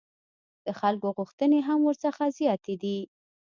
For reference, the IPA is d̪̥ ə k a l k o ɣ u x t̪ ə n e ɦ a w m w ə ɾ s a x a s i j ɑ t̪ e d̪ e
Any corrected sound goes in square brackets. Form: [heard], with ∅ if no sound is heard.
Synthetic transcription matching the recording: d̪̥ ə [x] a l k o ɣ u x t̪ ə n e ɦ a [∅] m w ə ɾ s [ə] x a [z] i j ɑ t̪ e d̪ [i]